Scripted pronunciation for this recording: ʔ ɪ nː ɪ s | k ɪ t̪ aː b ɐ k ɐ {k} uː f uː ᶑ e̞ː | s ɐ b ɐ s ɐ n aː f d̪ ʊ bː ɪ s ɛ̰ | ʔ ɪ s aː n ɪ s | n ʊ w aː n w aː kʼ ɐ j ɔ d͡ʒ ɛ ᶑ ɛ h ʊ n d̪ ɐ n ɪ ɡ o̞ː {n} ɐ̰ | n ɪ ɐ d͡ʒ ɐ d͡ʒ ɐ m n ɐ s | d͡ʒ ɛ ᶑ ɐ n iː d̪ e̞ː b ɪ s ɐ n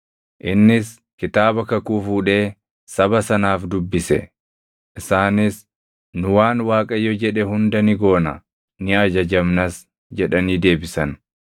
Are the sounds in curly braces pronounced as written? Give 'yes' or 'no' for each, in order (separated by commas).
yes, yes